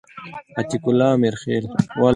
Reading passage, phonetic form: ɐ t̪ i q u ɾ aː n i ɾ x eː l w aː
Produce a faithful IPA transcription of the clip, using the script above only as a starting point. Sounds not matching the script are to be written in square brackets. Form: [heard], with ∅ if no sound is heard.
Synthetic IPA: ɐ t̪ i [k] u [l] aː [m] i ɾ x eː l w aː